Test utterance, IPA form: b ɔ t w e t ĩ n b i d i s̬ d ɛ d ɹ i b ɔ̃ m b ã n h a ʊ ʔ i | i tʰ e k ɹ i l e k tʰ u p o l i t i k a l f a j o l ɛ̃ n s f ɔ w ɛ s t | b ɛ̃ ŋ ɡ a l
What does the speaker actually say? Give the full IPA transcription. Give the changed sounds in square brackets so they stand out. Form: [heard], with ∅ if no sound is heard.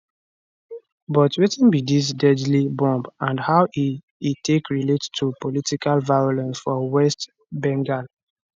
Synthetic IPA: b ɔ t w e t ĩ n b i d i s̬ d ɛ d [l] i b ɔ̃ m b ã n h a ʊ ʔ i | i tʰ e k ɹ i l e [t] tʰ u p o l i t i k a l [v] a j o l ɛ̃ n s f ɔ w ɛ s t | b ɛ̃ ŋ ɡ a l